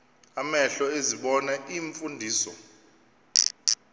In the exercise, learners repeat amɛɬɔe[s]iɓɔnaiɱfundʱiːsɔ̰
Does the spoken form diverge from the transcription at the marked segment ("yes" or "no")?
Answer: yes